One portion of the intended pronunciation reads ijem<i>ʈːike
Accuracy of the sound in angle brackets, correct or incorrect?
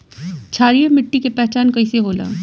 incorrect